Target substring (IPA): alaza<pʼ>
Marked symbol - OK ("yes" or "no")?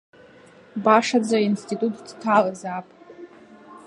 yes